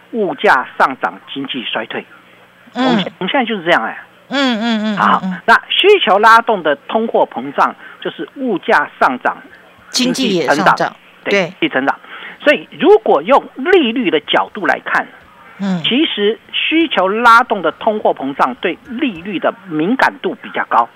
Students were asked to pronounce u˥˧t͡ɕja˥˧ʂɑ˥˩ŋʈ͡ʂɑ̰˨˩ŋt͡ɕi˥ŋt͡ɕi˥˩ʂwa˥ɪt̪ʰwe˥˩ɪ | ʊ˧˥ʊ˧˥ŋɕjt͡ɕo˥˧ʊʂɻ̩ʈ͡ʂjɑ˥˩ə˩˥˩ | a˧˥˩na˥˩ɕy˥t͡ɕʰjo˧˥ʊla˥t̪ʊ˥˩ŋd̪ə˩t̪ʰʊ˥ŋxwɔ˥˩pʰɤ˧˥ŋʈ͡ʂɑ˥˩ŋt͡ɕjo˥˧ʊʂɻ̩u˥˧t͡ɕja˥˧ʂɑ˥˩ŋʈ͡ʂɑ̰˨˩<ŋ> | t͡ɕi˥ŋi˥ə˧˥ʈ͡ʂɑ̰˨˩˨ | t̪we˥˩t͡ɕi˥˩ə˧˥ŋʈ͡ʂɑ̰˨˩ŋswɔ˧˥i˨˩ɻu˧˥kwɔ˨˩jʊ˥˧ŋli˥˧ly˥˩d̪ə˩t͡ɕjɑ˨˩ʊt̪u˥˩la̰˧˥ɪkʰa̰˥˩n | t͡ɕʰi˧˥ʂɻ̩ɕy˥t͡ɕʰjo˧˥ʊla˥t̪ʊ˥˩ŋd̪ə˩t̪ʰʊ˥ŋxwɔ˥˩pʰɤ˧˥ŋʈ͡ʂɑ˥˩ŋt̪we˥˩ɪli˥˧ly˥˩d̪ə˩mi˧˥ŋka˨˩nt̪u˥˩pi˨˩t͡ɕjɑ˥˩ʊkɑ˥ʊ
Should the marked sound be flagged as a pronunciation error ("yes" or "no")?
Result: no